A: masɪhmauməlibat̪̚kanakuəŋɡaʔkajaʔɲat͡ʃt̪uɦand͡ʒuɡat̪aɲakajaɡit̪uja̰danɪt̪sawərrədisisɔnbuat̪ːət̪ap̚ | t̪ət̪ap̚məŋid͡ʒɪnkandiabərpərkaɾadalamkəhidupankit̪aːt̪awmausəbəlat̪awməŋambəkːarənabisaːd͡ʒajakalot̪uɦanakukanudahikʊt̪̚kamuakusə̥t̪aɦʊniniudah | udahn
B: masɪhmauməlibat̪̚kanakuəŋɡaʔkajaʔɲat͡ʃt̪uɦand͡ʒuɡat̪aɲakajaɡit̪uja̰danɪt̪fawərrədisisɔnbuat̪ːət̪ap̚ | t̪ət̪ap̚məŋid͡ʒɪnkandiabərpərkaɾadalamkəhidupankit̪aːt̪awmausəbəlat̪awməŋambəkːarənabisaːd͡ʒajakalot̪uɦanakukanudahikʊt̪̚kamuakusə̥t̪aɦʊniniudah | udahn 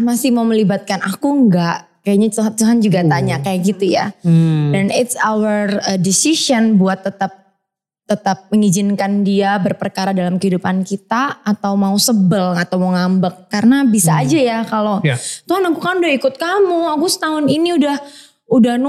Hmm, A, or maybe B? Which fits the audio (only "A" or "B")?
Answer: A